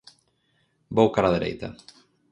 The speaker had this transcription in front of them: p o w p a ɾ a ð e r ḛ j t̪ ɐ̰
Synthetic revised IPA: b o w k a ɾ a ð e ɾ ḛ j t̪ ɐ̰

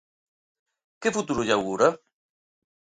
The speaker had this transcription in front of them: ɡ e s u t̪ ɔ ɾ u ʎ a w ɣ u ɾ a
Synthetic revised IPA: k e f u t̪ u ɾ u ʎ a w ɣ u ɾ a

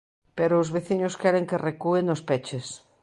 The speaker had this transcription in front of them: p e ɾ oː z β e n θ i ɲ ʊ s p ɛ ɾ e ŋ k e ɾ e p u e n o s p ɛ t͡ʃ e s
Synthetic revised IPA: p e ɾ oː z β e θ i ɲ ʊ s k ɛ ɾ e ŋ k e r e k u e n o s p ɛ t͡ʃ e s

